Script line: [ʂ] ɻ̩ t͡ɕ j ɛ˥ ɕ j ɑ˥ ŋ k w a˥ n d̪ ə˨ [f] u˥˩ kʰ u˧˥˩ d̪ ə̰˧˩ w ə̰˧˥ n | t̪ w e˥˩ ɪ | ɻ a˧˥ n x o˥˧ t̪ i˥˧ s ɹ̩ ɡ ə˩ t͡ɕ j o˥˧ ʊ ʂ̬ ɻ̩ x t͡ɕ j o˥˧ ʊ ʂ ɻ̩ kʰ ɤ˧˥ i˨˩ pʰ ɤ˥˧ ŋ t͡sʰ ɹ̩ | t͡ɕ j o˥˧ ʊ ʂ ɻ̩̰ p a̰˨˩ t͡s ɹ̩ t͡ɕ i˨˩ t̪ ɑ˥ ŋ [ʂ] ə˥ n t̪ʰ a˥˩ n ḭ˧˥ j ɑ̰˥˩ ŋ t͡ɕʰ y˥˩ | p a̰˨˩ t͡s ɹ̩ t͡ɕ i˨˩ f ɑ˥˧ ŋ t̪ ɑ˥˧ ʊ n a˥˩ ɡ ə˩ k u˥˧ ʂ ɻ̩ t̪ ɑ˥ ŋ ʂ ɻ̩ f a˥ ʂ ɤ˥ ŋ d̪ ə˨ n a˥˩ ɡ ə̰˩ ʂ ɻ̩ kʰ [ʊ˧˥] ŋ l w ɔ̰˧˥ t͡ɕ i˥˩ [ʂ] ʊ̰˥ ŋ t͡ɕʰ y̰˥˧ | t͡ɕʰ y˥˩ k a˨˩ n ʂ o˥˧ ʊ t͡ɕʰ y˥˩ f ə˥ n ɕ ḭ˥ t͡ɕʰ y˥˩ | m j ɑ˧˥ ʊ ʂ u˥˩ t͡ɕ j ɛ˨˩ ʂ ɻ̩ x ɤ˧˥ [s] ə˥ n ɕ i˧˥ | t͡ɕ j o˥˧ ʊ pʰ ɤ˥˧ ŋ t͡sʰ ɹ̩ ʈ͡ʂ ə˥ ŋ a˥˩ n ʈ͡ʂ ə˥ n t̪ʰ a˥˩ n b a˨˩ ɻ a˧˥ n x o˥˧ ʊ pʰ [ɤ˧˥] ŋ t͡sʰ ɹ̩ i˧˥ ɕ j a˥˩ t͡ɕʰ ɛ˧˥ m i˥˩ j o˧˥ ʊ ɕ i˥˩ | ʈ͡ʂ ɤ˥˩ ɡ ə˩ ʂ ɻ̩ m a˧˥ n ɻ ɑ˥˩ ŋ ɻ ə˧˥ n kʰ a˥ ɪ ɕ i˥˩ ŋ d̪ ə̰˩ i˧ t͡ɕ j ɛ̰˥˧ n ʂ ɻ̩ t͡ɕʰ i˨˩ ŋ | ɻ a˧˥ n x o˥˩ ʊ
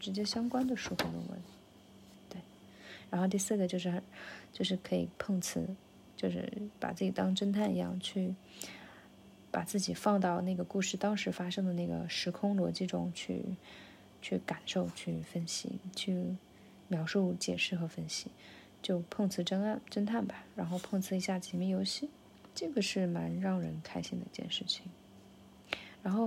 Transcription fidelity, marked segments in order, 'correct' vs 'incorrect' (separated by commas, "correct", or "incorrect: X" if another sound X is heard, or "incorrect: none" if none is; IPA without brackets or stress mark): incorrect: ʈ͡ʂ, incorrect: ʂ, incorrect: ʈ͡ʂ, incorrect: ʊ˥, incorrect: ʈ͡ʂ, incorrect: f, incorrect: ɤ˥˧